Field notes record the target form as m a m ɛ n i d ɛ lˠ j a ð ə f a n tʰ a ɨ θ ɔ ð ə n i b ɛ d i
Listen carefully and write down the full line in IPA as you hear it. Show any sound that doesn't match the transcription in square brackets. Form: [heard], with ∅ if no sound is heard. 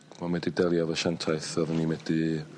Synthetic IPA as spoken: m a m ɛ [d] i d ɛ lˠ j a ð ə [ʃ] a n tʰ a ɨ θ ɔ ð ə n i [m] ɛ d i